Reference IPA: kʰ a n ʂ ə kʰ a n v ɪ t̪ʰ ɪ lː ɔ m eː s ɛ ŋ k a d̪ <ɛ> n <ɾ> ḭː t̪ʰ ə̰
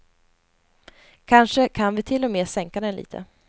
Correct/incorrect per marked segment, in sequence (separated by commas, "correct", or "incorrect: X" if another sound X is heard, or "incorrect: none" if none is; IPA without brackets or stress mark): correct, incorrect: l